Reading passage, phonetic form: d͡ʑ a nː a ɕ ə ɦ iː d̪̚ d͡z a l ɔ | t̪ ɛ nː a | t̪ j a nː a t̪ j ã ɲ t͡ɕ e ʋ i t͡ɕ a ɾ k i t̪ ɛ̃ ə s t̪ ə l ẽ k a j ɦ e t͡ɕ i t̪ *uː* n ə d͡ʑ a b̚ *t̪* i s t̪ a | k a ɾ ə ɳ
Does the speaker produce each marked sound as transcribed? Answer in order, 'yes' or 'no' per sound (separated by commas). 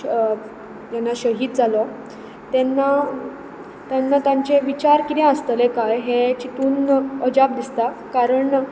yes, no